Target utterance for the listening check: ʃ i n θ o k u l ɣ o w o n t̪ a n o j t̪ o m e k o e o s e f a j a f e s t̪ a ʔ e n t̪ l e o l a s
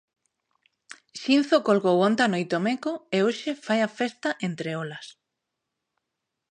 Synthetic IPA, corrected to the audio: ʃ i n θ o k o l ɣ o w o n t̪ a n o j t̪ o m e k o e o ʃ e f a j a f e s t̪ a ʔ e n t̪ ɾ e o l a s